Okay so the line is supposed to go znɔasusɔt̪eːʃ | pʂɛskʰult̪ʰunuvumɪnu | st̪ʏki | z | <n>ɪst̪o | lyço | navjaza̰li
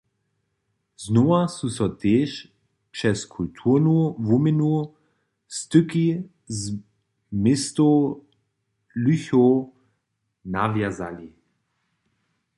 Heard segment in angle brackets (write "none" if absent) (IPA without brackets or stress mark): m